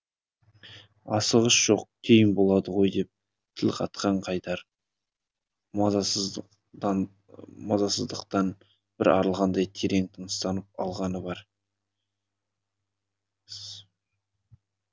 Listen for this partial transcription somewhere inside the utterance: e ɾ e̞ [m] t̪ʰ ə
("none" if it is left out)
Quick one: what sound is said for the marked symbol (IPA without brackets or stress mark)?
ŋ